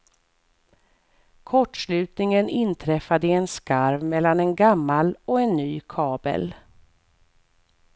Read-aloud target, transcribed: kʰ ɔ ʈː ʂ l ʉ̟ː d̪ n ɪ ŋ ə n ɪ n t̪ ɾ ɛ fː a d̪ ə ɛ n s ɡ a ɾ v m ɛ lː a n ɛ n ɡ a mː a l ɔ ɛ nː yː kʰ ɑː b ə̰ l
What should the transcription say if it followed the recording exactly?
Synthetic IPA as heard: kʰ ɔ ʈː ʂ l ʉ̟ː t̪ n ɪ ŋ ə n ɪ n t̪ʰ ɾ ɛ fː a d̪ ə ɛ n s k a ɾ v m ɛ lː a n ɛ n ɡ a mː a l ɔ ɛ nː yː kʰ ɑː b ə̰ l

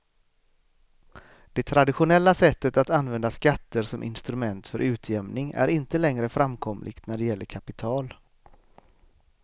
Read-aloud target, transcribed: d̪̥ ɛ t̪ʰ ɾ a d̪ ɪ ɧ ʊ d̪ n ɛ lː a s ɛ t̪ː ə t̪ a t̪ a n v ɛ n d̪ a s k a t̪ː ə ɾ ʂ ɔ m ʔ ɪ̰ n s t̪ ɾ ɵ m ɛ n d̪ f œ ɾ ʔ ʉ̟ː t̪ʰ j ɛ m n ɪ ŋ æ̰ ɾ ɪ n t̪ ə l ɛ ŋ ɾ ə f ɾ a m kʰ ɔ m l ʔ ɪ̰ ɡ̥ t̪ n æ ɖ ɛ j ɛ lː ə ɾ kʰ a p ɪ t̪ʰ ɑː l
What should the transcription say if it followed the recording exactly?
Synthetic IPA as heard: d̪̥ ɛ t̪ʰ ɾ a d̪ ɪ ɧ ʊ n ɛ lː a s ɛ t̪ː ə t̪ a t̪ a n v ɛ n d̪ a s k a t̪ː ə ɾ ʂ ɔ m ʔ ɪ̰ n s t̪ ɾ ɵ m ɛ n t̪ f œ ɾ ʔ ʉ̟ː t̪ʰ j ɛ m n ɪ ŋ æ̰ ɾ ɪ n t̪ ə l ɛ ŋ ɾ ə f ɾ a m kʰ ɔ m l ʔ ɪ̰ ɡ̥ t̪ n æ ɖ ɛ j ɛ lː ə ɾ kʰ a p ɪ t̪ʰ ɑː l

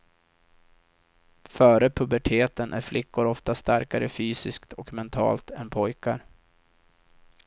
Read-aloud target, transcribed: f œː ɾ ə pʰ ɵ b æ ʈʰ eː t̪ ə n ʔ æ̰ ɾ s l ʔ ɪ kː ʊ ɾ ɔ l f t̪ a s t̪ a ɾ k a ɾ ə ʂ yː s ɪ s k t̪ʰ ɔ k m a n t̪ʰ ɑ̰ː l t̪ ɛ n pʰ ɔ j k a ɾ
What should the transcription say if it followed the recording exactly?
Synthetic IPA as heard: f œː ɾ ə pʰ ɵ b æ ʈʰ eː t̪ ə n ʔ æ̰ ɾ f l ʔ ɪ kː ʊ ɾ ɔ f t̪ a s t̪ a ɾ k a ɾ ə f yː s ɪ s k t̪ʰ ɔ k m ɛ n t̪ʰ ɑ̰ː l t̪ ɛ n pʰ ɔ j k a ɾ

